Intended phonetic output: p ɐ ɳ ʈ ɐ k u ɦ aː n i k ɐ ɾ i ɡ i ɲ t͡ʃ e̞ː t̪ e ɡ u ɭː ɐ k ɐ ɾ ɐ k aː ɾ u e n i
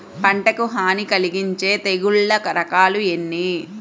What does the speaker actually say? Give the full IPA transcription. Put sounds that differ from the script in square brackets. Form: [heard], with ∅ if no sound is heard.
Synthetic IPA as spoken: p ɐ ɳ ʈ ɐ k u ɦ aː n i k ɐ [l] i ɡ i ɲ t͡ʃ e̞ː t̪ e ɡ u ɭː ɐ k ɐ ɾ ɐ k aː [l] u e [nː] i